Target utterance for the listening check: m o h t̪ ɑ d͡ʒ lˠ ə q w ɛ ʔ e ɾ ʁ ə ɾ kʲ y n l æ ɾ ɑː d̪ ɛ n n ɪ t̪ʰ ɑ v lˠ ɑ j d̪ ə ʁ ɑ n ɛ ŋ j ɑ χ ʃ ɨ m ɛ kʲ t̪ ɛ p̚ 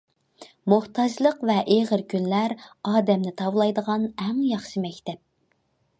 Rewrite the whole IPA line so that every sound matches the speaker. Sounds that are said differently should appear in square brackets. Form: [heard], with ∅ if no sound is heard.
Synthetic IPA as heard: m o h t̪ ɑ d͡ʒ lˠ ə q [v] ɛ ʔ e [∅] ʁ ə ɾ kʲ y n l æ ɾ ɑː d̪ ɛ [m] n ɪ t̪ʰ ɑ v lˠ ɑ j d̪ ə ʁ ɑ n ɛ ŋ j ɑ χ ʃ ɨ m ɛ kʲ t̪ ɛ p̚